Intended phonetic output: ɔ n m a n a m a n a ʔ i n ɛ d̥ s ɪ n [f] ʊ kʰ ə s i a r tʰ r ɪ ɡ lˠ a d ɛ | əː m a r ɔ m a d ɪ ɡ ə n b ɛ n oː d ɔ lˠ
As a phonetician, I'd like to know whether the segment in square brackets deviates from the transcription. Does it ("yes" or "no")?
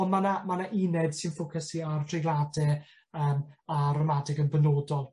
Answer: no